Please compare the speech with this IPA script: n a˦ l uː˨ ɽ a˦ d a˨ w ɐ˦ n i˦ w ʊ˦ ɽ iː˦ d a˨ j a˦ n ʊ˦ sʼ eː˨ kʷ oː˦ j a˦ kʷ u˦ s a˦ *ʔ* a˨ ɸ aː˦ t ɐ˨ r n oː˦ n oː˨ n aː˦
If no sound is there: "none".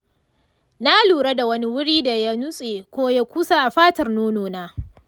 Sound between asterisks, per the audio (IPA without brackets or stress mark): ʔ